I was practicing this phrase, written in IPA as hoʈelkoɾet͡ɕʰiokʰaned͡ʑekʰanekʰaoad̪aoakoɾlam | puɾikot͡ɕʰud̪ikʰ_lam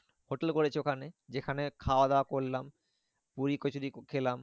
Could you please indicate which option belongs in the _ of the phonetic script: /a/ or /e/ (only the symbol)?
e